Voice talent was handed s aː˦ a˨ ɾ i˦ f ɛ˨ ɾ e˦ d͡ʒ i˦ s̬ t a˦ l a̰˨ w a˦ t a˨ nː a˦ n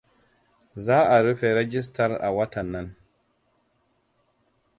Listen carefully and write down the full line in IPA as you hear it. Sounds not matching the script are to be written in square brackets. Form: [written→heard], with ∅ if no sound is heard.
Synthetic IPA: [s→z] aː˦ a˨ ɾ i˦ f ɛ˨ ɾ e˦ d͡ʒ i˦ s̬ t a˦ [l→ɾ] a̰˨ w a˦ t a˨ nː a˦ n